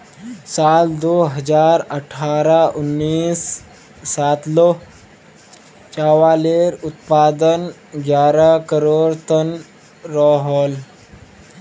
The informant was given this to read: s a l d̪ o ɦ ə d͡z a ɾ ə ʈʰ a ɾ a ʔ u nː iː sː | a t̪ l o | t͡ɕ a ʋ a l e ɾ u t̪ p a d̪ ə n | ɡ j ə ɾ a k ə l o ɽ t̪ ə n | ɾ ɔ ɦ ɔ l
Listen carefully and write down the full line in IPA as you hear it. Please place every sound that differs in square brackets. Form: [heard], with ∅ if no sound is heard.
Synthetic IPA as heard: s a l d̪ o ɦ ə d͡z a ɾ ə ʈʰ a ɾ a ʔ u nː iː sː | a t̪ l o | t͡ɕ a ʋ a l e ɾ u t̪ p a d̪ ə n | ɡ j [a] ɾ a k ə [ɾ] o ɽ t̪ ə n | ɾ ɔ ɦ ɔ l